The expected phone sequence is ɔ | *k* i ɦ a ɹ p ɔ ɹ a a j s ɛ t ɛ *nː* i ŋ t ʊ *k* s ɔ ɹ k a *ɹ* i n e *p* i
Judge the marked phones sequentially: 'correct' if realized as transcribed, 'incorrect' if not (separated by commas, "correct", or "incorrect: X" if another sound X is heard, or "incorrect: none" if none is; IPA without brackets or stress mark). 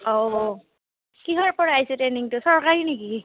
correct, incorrect: n, incorrect: none, correct, incorrect: k